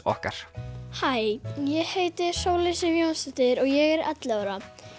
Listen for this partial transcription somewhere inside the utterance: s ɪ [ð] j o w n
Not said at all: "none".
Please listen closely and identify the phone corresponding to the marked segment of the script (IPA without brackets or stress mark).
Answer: v